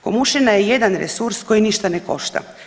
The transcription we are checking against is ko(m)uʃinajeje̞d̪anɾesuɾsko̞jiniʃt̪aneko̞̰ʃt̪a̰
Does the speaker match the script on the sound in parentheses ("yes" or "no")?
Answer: yes